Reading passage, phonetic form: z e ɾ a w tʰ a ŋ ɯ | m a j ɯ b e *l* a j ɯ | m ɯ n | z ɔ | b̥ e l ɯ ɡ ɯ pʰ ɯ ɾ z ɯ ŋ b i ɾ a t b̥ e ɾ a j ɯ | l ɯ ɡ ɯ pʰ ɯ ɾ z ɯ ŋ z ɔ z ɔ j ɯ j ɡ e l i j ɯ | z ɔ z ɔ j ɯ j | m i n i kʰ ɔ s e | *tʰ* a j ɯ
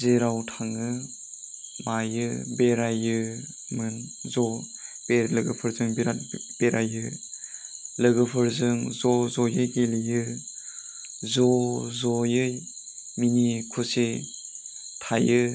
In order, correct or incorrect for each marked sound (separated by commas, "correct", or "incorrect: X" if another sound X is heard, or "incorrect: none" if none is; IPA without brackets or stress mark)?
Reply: incorrect: ɾ, correct